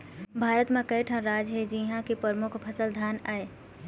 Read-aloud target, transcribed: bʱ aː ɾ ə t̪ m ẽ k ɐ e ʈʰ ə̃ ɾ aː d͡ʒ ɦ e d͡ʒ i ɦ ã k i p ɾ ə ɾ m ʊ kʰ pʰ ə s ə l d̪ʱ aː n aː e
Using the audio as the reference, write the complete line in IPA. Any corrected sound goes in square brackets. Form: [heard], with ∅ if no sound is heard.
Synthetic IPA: bʱ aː ɾ ə t̪ m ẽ k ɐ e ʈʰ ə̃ ɾ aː d͡ʒ ɦ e d͡ʒ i ɦ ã k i p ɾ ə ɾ m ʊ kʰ pʰ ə s ə l d̪ʱ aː n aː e